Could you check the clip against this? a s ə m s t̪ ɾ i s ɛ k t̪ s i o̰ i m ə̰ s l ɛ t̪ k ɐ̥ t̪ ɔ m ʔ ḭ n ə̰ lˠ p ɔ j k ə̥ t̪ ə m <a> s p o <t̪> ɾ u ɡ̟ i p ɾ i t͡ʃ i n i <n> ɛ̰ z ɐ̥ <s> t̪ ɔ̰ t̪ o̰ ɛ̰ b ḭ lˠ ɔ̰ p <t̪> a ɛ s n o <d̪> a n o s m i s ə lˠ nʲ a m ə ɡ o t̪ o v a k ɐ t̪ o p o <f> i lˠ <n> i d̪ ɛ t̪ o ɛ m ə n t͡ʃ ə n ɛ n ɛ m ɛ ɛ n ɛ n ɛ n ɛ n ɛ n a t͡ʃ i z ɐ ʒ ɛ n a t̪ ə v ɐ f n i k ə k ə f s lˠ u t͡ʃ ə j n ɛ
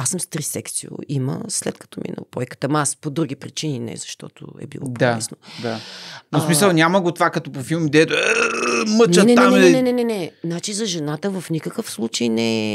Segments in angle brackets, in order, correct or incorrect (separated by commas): correct, incorrect, correct, incorrect, incorrect, correct, correct, incorrect